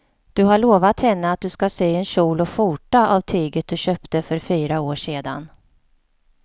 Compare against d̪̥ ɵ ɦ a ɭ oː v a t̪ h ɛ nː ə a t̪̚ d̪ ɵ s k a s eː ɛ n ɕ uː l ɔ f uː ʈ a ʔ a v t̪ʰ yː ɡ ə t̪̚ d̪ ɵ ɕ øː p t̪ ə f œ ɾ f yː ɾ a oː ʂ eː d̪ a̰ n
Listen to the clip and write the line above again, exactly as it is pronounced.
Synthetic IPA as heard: d̪̥ ɵ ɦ a ɭ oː v a t̪ h ɛ nː ə a t̪̚ d̪ ɵ s k a s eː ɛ n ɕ uː l ɔ f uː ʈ a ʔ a v t̪ʰ yː ɡ ə t̪̚ d̪ ɵ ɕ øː p t̪ ə f œ ɾ f yː ɾ a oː ʂ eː d̪ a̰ n